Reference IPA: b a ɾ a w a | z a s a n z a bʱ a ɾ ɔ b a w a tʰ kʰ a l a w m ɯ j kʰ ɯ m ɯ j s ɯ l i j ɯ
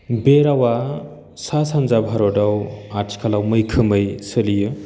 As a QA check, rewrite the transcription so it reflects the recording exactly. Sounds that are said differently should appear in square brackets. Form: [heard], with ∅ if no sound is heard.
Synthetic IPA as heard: b [e] ɾ a w a | [s] a s a n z a bʱ a ɾ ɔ [d] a w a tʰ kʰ a l a w m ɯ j kʰ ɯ m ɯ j s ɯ l i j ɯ